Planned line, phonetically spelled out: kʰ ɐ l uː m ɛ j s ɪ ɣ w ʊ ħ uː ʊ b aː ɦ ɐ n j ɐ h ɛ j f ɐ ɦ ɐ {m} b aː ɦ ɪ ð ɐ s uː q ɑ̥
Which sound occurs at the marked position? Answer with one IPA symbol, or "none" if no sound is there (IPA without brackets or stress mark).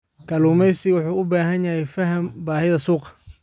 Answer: m